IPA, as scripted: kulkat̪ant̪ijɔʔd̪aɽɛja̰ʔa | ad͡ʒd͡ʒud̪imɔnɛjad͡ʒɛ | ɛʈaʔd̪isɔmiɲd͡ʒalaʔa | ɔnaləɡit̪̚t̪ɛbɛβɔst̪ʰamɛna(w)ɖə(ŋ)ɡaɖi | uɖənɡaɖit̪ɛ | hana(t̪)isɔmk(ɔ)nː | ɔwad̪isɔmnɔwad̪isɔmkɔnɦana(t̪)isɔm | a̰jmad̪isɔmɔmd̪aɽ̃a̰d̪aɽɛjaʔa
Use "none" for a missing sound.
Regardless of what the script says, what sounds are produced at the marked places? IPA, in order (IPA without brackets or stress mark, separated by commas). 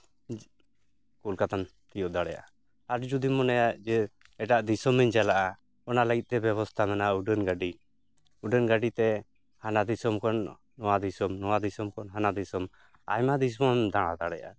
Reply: u, n, d̪, ɔ, d̪